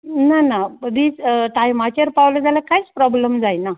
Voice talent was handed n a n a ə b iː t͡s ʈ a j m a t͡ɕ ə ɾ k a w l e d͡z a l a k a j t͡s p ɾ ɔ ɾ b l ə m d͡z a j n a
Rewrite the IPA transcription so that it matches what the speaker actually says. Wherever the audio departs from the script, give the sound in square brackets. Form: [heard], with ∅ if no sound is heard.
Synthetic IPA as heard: n a n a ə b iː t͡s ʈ a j m a t͡ɕ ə ɾ [p] a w l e d͡z a l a k a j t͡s p ɾ ɔ [∅] b l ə m d͡z a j n a